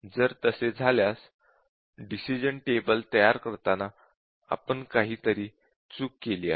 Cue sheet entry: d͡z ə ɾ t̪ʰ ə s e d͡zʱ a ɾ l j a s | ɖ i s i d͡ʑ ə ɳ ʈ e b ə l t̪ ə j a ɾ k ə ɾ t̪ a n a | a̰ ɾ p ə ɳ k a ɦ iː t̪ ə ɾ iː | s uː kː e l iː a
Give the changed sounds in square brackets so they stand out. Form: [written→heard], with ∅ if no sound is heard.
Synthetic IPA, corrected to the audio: d͡z ə ɾ [t̪ʰ→t̪] ə s e d͡zʱ a [ɾ→∅] l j a s | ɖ i s i d͡ʑ ə ɳ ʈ e b ə l t̪ ə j a ɾ k ə ɾ t̪ a n a | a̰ [ɾ→∅] p ə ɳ k a ɦ iː t̪ ə ɾ iː | [s→t͡s] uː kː e l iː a